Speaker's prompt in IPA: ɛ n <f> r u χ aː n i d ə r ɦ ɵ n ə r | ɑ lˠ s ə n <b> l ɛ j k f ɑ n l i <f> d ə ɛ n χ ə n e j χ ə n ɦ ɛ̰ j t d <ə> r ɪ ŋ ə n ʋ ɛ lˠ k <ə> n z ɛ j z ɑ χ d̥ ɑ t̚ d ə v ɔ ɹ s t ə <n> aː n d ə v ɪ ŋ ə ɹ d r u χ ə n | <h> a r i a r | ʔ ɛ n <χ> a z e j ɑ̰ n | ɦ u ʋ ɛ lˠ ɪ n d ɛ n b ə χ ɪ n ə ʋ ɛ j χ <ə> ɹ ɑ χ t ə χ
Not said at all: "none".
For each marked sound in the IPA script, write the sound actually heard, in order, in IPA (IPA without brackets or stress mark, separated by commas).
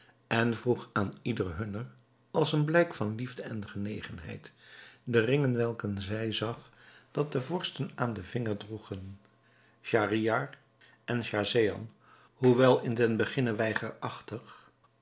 v, b, v, ə, ə, n, ʃ, ʃ, ə